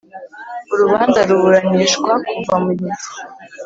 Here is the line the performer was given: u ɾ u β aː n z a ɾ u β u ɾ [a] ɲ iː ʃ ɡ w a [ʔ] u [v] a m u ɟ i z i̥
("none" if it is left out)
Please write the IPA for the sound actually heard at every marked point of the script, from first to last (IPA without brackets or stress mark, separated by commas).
a, k, v